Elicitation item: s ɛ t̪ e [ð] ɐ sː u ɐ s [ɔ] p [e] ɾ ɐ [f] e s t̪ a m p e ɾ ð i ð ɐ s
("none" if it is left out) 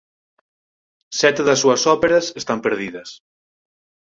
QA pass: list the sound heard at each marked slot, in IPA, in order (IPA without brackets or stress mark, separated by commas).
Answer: ð, ɔ, e, s